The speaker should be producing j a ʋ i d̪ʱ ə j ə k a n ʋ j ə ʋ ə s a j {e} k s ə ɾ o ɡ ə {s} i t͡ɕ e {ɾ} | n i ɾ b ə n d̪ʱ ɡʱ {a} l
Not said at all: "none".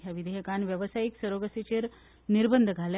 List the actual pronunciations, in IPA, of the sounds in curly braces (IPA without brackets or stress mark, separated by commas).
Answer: i, s, ɾ, a